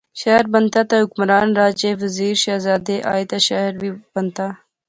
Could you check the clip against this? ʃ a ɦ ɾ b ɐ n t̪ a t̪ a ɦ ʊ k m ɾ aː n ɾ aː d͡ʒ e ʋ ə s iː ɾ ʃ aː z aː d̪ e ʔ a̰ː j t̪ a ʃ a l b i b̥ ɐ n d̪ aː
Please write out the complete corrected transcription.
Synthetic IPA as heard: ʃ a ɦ ɾ b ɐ n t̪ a t̪ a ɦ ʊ k m ɾ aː n ɾ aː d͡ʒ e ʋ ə z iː ɾ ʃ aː z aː d̪ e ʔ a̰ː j t̪ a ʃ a ɾ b i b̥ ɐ n t̪ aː